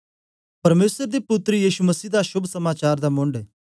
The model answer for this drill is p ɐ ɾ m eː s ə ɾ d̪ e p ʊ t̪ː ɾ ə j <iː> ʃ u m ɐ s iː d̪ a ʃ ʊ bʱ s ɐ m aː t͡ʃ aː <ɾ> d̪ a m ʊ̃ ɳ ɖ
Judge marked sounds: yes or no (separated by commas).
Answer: yes, yes